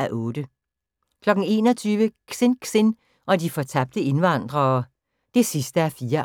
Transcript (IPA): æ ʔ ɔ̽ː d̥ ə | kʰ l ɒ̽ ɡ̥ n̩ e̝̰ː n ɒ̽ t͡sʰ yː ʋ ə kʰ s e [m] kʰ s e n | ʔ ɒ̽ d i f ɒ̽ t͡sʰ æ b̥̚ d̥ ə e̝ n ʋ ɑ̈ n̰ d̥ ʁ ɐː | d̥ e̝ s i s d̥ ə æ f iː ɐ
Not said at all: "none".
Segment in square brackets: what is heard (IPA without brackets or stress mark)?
n